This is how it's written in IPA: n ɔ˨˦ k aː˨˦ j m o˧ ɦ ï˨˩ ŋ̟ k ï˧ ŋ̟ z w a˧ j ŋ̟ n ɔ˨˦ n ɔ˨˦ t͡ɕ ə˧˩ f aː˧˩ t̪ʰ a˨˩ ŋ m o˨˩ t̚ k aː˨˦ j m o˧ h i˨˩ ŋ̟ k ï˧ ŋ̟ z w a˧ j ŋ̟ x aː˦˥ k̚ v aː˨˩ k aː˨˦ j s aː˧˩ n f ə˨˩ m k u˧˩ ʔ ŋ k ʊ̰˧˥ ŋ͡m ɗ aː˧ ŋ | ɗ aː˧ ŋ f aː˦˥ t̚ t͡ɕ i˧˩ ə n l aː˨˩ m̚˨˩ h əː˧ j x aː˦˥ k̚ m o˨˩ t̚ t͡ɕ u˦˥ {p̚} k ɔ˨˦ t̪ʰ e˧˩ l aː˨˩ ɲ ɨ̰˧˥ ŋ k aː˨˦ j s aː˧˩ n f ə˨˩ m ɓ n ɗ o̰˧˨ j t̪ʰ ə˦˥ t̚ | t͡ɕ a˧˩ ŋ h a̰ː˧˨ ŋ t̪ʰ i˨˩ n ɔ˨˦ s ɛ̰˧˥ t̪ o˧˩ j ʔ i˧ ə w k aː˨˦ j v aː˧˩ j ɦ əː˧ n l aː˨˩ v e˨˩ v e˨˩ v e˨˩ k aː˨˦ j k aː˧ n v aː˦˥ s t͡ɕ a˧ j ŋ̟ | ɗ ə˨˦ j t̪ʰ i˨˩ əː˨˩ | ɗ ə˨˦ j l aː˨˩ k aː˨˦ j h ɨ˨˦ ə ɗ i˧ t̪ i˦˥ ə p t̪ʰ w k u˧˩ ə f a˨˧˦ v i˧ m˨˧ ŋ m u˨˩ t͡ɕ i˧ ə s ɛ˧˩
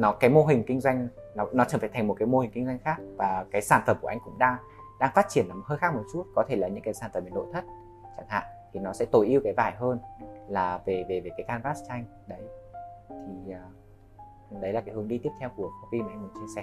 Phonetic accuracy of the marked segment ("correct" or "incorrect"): incorrect